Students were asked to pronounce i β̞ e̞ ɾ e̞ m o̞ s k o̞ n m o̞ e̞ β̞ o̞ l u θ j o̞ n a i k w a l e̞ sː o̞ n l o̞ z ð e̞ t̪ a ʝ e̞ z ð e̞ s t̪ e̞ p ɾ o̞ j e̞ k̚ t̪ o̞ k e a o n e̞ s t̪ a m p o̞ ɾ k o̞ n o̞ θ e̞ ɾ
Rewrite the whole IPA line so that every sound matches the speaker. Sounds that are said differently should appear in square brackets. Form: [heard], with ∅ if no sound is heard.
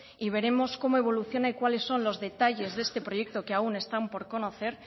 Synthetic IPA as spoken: i β̞ e̞ ɾ e̞ m o̞ s k o̞ [∅] m o̞ e̞ β̞ o̞ l u θ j o̞ n a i k w a l e̞ sː o̞ n l o̞ z ð e̞ t̪ a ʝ e̞ z ð e̞ s t̪ e̞ p ɾ o̞ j e̞ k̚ t̪ o̞ k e a [u] n e̞ s t̪ a m p o̞ ɾ k o̞ n o̞ θ e̞ ɾ